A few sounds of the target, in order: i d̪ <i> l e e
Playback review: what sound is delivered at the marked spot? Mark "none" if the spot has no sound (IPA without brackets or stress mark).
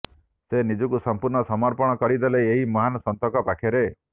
e